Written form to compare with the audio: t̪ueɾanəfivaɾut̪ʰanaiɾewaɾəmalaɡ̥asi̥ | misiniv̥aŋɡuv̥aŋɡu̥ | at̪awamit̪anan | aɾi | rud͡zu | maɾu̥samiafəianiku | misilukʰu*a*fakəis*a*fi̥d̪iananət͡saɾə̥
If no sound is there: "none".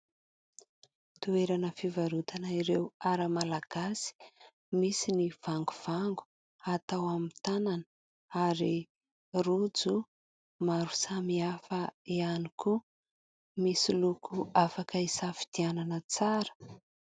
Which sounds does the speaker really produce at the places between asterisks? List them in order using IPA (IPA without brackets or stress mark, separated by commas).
a, a